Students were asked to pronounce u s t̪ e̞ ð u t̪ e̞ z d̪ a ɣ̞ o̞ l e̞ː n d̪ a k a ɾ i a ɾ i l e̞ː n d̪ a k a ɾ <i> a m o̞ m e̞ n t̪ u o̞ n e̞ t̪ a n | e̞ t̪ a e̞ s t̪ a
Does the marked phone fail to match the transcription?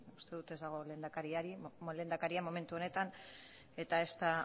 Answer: no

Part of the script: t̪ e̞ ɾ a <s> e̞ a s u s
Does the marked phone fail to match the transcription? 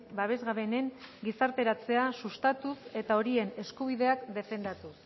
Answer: yes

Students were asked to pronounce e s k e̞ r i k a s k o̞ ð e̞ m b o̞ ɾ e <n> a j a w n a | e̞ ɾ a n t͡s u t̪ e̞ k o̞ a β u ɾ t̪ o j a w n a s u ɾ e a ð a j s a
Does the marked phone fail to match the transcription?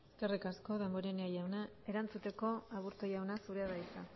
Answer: no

